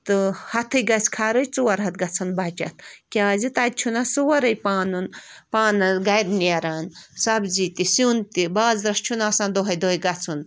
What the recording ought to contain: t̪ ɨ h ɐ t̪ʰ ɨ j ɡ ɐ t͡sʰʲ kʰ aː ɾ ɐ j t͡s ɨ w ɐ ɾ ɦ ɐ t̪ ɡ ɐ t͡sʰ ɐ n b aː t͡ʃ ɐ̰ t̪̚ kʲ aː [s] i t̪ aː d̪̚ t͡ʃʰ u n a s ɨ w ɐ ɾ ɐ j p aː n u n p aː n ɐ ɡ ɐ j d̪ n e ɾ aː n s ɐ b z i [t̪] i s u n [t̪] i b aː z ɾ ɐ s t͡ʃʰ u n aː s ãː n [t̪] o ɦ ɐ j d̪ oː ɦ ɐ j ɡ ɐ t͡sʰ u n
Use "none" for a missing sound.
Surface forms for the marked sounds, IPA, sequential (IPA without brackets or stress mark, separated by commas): z, t̪, t̪, d̪